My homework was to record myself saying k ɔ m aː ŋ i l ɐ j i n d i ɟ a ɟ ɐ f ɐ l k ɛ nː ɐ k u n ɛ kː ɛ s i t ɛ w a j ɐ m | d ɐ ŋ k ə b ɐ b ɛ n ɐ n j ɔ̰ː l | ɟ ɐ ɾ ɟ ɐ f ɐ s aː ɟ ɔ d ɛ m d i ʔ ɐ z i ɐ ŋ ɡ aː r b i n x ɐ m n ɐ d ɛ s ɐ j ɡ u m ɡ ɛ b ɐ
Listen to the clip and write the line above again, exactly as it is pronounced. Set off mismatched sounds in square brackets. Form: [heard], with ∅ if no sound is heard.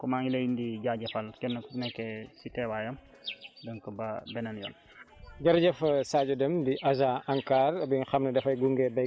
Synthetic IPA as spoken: k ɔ m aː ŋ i l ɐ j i n d i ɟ a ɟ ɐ f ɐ l k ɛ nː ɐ k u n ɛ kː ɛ s i t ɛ w a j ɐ m | d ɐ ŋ k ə b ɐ b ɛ n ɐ n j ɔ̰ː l | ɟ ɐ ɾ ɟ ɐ f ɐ s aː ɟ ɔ d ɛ m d i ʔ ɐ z [a] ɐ ŋ [k] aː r b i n x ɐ m n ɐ d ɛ [f] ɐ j ɡ u [ŋ] ɡ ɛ b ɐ